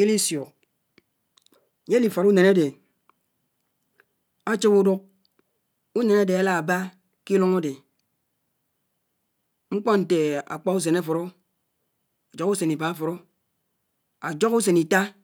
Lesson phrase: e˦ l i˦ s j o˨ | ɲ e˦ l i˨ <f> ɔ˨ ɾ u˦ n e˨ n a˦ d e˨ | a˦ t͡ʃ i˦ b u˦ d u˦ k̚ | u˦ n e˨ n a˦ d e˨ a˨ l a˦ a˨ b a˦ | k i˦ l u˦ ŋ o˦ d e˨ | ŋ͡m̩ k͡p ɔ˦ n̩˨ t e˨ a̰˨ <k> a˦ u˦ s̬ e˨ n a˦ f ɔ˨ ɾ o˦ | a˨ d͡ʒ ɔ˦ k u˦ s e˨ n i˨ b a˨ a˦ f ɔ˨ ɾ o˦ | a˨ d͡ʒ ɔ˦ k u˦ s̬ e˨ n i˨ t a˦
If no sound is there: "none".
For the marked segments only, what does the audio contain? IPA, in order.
f, k͡p

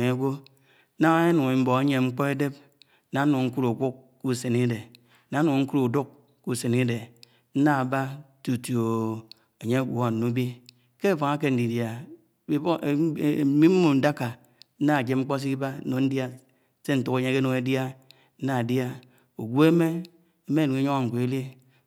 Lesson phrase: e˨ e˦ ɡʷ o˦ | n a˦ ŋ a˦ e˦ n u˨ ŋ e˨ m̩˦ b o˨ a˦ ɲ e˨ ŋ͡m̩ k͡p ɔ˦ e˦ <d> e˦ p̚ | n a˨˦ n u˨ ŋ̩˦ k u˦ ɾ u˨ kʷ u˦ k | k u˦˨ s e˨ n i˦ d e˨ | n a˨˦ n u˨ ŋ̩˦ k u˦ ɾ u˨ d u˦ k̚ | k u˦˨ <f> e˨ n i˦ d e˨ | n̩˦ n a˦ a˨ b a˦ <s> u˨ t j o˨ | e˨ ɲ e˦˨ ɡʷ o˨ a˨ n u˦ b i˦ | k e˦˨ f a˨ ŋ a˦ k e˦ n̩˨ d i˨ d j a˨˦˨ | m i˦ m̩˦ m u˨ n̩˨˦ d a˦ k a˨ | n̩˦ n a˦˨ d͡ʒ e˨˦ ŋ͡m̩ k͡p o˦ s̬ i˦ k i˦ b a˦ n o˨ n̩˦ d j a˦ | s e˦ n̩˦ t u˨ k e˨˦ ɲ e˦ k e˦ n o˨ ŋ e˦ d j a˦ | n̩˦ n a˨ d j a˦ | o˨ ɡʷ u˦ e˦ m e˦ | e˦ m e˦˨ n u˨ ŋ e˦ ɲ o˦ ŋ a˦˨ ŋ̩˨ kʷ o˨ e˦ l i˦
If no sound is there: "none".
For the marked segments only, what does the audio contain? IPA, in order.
d, s, t

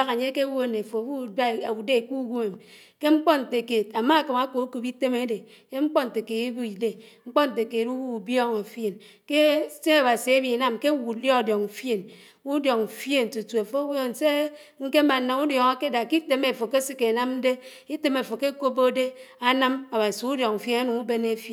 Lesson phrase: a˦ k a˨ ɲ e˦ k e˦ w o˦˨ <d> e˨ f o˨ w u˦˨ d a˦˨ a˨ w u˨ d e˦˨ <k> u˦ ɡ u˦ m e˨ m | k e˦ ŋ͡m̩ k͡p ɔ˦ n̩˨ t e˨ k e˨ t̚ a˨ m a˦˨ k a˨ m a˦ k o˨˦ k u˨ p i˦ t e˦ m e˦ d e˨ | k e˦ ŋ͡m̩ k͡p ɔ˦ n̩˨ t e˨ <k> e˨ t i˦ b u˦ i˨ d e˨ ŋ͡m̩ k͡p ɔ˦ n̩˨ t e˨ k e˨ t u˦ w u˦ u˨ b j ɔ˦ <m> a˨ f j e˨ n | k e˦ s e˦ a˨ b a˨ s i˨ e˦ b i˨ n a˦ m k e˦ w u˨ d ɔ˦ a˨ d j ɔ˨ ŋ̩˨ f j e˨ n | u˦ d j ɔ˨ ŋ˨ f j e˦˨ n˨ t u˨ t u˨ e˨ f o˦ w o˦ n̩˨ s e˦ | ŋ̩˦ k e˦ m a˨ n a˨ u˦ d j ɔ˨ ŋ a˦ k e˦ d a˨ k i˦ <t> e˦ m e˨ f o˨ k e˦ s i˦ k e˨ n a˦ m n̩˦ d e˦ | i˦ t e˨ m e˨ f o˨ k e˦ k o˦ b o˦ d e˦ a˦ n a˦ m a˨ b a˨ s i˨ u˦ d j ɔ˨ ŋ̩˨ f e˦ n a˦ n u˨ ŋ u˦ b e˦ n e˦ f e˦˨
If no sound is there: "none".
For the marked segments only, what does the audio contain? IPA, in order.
n, k, k, ŋ, t

